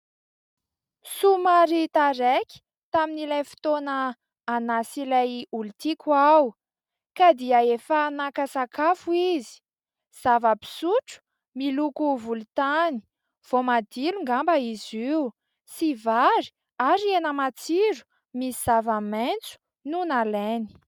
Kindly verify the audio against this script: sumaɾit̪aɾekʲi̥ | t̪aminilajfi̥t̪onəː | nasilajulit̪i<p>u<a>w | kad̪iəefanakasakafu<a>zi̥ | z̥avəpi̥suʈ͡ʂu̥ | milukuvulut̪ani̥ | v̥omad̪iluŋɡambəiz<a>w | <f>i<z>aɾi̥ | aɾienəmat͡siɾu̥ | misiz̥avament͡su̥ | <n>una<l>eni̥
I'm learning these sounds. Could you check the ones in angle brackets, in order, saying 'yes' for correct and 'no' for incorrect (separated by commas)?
no, yes, no, no, no, no, yes, yes